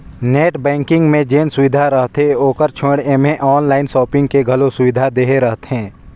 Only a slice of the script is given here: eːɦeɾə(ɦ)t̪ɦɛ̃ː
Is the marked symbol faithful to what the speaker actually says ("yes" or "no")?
yes